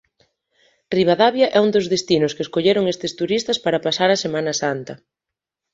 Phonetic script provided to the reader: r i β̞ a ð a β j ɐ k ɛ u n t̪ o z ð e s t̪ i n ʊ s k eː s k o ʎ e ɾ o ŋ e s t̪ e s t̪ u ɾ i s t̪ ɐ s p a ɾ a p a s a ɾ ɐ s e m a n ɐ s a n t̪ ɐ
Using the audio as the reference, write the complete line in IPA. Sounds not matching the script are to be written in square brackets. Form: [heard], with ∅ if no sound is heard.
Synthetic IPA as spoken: r i β̞ a ð a β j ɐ [ʔ] ɛ u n [d̪] o z ð e s t̪ i n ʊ s k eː s k o ʎ e ɾ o ŋ e s t̪ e s t̪ u ɾ i s t̪ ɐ s p a ɾ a p a s a ɾ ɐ s e m a n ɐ s a n t̪ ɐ